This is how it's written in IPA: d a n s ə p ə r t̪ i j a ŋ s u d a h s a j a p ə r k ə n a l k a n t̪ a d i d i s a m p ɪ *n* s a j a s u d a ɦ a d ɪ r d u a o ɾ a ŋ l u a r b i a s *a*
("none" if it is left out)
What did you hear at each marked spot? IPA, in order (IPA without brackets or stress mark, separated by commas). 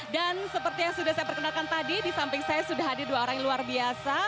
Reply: ŋ, a